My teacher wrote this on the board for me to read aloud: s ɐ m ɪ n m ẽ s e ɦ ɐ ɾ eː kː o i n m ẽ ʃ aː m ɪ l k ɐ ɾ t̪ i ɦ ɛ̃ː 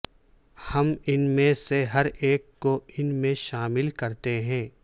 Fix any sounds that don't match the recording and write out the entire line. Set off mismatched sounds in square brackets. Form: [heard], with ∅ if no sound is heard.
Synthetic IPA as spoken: [h] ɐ m ɪ n m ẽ s e ɦ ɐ ɾ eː kː o [ɪ] n m ẽ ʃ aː m ɪ l k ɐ ɾ t̪ [e] ɦ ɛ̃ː